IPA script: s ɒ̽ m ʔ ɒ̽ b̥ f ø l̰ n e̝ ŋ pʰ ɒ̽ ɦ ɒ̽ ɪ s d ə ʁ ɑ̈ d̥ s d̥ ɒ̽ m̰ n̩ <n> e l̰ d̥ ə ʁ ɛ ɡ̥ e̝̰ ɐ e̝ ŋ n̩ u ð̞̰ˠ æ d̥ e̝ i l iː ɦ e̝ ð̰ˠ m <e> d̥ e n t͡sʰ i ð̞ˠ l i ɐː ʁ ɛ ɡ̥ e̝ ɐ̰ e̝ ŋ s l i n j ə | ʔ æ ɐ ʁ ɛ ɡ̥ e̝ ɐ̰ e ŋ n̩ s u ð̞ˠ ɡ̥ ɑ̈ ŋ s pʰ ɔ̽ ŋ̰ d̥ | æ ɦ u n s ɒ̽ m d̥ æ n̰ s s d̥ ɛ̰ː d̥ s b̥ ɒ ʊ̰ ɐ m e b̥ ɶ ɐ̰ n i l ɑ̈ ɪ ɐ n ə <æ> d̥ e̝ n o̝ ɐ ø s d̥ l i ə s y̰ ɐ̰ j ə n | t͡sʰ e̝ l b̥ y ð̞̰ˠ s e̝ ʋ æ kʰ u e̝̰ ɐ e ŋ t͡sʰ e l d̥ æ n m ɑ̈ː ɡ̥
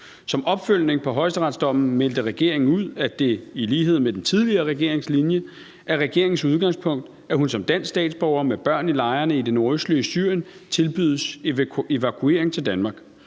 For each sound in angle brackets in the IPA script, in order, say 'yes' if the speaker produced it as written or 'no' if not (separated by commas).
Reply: no, yes, no